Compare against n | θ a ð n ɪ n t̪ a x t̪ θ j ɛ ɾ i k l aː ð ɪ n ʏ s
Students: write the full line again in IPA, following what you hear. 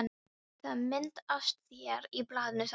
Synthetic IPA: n | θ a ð m ɪ n t̪ a s t̪ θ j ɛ ɾ i p l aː ð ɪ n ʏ s